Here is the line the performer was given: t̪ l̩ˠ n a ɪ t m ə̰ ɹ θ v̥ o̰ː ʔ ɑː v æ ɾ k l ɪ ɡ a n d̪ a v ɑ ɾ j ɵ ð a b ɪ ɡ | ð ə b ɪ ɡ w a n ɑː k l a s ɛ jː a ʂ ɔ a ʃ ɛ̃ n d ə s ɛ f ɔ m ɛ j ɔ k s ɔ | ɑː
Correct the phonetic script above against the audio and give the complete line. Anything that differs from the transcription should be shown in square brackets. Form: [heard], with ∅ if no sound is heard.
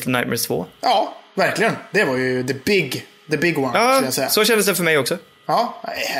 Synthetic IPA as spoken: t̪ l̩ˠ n a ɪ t m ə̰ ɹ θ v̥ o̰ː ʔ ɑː v æ ɾ k l ɪ ɡ [ə] n d̪ [ɛ] v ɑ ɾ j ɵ ð [ə] b ɪ ɡ | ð ə b ɪ ɡ w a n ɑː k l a s ɛ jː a [s] ɔ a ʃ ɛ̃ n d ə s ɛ f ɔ m ɛ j ɔ k s ɔ | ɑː